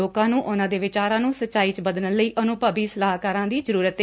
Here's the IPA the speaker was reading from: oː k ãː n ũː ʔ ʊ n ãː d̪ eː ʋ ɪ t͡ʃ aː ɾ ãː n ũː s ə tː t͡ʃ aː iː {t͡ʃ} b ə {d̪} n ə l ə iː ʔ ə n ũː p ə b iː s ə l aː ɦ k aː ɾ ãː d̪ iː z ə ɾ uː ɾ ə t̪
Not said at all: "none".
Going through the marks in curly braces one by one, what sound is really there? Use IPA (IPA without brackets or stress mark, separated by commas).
t͡ʃ, d̪